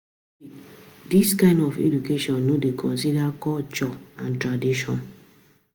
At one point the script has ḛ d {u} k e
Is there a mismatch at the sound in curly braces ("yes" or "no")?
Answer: no